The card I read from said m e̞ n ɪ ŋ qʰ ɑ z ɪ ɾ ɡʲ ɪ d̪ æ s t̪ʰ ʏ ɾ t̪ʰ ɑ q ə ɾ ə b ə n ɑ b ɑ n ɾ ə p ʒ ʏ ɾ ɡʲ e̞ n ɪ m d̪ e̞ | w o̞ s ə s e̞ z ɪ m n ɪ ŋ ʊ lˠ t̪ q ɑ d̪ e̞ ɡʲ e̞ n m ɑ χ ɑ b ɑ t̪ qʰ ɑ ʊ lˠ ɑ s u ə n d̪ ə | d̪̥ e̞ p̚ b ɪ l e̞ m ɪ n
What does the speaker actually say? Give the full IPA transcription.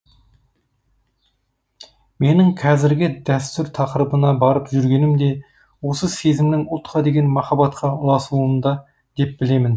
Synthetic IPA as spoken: m e̞ n ɪ ŋ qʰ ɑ z ɪ ɾ ɡʲ ɪ d̪ æ s t̪ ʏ ɾ t̪ʰ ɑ q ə ɾ ə b ə n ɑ b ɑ ɾ ə p ʒ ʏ ɾ ɡʲ e̞ n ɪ m d̪ e̞ | w o̞ s ə s e̞ z ɪ m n ɪ ŋ ʊ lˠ t̪ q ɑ d̪ e̞ ɡʲ e̞ n m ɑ χ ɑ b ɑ t̪ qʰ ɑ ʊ lˠ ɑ s u ə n d̪ ɑ | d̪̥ e̞ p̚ b ɪ l e̞ m ɪ n